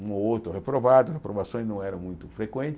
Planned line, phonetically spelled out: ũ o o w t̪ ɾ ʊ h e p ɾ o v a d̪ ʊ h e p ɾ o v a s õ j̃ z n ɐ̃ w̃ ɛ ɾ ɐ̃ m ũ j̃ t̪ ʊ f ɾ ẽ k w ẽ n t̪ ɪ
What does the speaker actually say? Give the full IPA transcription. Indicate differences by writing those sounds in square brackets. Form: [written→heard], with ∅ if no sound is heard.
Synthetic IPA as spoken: ũ o o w t̪ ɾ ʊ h e p ɾ o v a d̪ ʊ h e p ɾ o v a s õ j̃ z n ɐ̃ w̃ ɛ ɾ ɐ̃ m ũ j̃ t̪ ʊ f ɾ [ẽ→e] k w ẽ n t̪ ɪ